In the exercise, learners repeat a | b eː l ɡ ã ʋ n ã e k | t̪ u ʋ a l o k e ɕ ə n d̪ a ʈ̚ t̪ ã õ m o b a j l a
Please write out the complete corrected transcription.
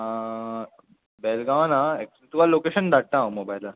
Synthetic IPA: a | b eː l ɡ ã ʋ n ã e k | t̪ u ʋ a l o k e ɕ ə n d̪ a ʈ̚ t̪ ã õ m o b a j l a